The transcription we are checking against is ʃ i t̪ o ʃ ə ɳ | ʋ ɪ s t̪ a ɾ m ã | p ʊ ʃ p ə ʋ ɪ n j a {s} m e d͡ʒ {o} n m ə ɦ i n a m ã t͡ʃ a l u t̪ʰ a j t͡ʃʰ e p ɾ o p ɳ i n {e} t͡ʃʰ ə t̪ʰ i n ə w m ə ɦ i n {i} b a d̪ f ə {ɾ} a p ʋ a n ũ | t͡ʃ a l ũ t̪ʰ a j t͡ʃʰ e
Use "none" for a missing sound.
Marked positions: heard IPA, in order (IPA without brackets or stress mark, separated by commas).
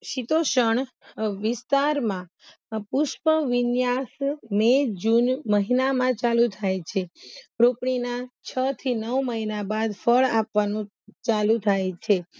s, u, a, a, ɭ